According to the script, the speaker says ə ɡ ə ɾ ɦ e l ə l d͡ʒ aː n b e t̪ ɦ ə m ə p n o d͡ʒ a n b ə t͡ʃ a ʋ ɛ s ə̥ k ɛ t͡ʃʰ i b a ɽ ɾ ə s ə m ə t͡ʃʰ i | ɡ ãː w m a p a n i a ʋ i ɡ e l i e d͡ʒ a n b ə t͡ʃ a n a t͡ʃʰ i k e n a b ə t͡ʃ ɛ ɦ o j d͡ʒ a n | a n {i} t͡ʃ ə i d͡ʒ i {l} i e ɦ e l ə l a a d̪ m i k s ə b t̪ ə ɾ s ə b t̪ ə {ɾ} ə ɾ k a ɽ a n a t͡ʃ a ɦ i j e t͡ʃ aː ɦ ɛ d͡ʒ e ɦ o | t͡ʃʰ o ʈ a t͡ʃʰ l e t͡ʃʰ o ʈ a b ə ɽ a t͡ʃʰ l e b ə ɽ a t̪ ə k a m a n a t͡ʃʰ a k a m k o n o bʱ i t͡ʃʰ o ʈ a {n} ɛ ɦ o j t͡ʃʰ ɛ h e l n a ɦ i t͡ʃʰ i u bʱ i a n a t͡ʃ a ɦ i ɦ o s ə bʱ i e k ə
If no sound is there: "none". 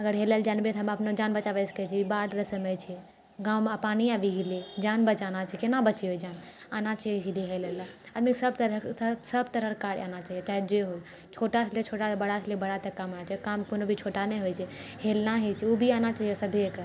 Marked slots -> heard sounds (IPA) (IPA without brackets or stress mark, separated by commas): a, l, ɾ, n